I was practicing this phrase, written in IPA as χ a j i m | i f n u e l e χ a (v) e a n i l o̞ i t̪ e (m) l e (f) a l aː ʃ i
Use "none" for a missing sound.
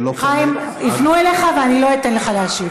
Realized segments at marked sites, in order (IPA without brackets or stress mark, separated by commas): v, n, χ